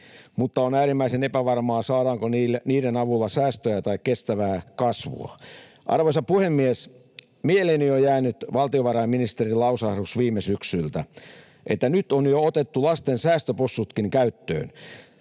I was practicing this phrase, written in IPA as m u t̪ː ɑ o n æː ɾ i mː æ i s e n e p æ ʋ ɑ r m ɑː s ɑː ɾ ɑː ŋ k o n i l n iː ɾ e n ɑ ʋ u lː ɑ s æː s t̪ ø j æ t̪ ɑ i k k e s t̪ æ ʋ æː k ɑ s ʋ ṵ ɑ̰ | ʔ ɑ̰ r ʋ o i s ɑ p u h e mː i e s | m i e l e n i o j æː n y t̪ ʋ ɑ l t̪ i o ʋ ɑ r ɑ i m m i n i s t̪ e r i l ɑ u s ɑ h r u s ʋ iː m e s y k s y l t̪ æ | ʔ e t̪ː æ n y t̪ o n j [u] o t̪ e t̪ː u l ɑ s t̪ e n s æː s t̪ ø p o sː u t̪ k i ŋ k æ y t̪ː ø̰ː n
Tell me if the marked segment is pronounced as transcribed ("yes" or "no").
no